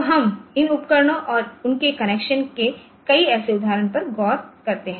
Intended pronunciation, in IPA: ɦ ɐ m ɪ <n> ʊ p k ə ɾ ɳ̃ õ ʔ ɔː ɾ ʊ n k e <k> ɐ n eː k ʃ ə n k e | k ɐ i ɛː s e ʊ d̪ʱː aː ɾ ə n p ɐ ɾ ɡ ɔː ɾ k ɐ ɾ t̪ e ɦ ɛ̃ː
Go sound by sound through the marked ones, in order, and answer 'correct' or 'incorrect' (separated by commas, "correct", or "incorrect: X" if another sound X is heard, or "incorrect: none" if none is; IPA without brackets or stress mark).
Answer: correct, correct